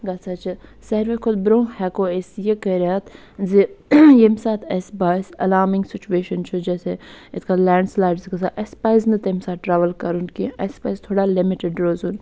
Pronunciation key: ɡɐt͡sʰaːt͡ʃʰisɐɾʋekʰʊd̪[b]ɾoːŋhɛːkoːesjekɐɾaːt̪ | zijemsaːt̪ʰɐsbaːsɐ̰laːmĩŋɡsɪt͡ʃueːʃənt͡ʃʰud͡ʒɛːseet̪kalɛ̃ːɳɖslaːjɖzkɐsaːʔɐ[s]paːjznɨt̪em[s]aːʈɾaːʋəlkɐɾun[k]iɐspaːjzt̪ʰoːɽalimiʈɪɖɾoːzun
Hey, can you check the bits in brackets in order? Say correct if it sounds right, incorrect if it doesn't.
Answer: correct, correct, correct, correct

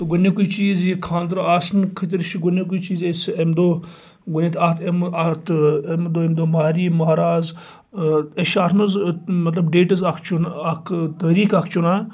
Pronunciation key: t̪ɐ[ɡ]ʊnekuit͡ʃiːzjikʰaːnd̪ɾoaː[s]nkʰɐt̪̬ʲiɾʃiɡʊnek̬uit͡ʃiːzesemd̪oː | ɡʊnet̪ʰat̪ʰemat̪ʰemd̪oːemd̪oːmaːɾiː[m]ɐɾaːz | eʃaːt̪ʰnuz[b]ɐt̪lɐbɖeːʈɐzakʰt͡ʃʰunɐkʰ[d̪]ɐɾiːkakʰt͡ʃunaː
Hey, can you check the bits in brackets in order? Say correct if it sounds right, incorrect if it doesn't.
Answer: correct, correct, correct, incorrect: m, incorrect: t̪

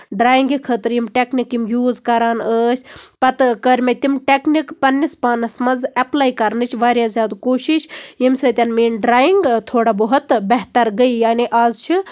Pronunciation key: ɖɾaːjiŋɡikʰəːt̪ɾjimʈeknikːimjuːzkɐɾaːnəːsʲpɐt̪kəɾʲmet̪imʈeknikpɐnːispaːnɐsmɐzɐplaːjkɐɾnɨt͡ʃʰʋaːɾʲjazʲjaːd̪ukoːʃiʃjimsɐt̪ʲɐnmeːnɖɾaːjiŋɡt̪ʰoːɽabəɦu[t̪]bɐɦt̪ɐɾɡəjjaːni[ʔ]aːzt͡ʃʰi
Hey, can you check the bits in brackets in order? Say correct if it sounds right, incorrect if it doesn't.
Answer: correct, correct

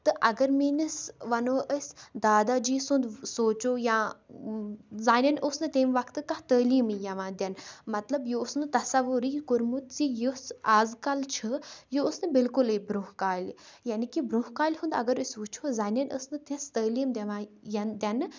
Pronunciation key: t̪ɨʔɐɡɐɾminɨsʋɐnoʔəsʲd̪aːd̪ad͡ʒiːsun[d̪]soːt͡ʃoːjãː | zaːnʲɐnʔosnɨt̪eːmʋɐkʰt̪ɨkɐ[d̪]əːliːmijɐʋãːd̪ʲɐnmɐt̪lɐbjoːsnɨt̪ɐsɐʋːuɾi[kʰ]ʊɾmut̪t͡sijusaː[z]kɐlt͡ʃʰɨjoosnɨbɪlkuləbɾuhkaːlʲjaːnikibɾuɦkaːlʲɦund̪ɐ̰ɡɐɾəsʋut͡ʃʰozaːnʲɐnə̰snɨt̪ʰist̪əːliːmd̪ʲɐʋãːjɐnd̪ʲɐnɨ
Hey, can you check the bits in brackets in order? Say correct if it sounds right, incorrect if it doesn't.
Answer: correct, incorrect: t̪, incorrect: k, correct

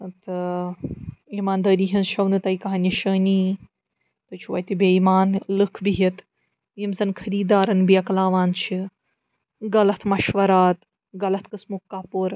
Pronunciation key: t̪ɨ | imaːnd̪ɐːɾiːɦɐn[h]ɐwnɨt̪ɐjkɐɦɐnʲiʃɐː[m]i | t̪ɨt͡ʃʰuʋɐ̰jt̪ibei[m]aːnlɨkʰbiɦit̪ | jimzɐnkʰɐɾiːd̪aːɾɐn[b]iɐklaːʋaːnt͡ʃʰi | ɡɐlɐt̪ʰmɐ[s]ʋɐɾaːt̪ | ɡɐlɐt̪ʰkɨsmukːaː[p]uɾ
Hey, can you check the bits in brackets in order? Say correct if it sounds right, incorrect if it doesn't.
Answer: incorrect: ʃ, incorrect: n, correct, correct, incorrect: ʃ, correct

